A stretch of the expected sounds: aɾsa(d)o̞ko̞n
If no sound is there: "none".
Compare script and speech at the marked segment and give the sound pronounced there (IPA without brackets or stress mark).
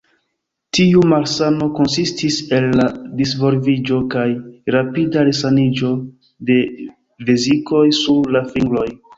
n